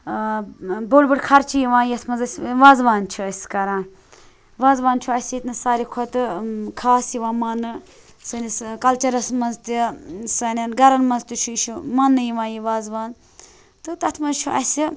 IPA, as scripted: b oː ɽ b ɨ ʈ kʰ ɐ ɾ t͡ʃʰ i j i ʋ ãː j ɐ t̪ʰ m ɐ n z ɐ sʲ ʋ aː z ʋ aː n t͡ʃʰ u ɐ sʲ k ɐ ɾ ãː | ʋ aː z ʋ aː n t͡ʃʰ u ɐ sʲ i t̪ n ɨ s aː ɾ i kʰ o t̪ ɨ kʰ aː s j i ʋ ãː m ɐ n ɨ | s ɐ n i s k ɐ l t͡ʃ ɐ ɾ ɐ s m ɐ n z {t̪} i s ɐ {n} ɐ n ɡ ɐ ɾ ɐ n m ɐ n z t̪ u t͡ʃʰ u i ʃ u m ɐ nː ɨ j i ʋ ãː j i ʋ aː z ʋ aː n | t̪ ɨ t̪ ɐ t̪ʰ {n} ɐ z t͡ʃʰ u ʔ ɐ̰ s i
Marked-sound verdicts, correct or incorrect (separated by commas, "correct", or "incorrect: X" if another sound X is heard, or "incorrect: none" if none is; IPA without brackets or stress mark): correct, correct, incorrect: m